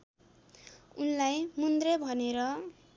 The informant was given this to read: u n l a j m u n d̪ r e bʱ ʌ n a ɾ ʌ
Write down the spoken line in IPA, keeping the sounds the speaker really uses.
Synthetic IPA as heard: u n l a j m u n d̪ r e bʱ ʌ n e ɾ ʌ